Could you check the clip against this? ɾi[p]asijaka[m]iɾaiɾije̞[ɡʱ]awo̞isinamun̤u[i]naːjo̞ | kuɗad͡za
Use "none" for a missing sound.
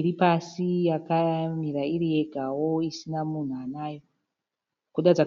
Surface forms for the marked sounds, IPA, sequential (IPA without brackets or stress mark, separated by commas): p, m, ɡʱ, a